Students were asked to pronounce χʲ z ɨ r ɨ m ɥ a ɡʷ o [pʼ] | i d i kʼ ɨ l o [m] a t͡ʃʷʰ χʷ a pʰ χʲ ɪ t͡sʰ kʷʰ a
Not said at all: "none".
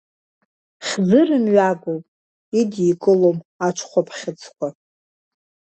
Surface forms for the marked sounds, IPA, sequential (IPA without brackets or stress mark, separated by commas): pʼ, m